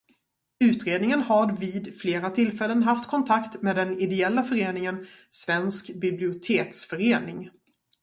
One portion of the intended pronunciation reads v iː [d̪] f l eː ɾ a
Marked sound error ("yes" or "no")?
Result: no